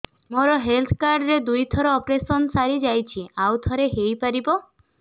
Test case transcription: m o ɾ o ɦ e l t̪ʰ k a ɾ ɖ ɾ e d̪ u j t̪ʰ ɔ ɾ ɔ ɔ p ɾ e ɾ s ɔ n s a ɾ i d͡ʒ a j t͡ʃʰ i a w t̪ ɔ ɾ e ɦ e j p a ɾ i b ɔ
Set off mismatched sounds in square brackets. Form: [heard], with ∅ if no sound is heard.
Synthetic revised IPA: m o ɾ [ɔ] ɦ e l t̪ʰ k a ɾ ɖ ɾ e d̪ u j t̪ʰ ɔ ɾ ɔ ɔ p ɾ e [∅] s ɔ n s a ɾ i d͡ʒ a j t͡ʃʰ i a w [t̪ʰ] ɔ ɾ e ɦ e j p a ɾ i b ɔ